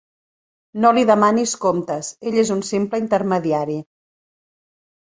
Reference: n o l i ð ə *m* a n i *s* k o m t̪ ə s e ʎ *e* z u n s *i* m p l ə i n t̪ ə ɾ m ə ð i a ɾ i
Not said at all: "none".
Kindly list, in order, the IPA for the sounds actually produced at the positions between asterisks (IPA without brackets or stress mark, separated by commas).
m, s, e, i